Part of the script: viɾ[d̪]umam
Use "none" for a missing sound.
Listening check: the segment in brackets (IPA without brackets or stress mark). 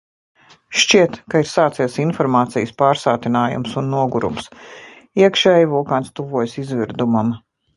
d̪